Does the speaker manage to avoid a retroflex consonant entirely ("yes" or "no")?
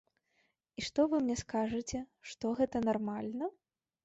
no